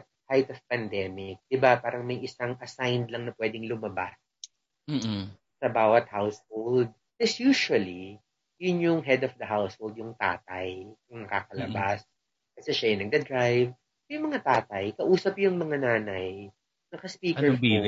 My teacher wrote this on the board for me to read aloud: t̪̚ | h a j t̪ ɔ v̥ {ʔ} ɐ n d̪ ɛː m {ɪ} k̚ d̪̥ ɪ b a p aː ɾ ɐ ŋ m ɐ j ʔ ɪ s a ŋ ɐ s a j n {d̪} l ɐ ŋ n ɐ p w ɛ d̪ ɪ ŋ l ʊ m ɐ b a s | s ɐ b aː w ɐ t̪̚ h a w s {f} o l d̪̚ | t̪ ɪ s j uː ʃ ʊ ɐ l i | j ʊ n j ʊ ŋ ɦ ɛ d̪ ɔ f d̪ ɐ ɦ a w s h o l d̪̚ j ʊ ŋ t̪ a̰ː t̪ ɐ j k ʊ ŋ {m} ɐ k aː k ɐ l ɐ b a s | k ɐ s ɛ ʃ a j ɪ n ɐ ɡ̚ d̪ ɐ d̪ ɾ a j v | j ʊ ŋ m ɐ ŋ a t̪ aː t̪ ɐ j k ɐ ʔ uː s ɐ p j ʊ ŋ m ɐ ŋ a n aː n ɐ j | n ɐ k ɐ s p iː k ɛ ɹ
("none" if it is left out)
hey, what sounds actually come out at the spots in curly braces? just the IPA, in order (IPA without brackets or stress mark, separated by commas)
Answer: p, ɪ, d̪, h, n